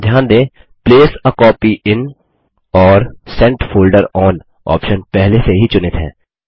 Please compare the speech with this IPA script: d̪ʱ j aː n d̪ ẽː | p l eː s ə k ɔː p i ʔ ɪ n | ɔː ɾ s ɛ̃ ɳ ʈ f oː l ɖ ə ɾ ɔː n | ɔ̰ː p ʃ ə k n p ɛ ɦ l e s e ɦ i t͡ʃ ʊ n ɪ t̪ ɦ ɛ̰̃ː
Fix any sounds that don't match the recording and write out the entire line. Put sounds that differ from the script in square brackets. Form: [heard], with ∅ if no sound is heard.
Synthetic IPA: d̪ʱ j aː n d̪ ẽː | p l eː s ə k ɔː p i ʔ ɪ n | ɔː ɾ s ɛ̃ ɳ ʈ f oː l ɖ ə ɾ ɔː n | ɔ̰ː p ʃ ə [∅] n p ɛ ɦ l e s e ɦ i t͡ʃ ʊ n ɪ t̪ ɦ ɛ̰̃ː